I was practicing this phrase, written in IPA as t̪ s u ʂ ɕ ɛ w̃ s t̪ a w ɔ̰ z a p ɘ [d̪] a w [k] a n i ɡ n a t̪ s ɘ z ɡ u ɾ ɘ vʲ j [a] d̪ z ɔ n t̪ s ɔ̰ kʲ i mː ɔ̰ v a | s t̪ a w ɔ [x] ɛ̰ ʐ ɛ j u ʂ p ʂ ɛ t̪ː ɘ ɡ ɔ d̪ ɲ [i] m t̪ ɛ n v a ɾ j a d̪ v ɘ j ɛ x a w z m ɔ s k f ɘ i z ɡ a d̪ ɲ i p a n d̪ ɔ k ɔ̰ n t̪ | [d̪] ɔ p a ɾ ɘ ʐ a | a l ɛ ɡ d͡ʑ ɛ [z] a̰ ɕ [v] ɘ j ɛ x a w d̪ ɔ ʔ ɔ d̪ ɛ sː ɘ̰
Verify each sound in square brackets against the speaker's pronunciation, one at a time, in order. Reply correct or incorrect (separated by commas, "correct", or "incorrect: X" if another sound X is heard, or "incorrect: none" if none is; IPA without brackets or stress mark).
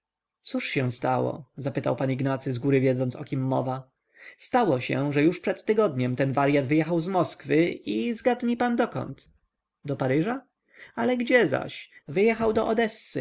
incorrect: t̪, incorrect: p, incorrect: ɛ, incorrect: ɕ, incorrect: ɛ, correct, correct, correct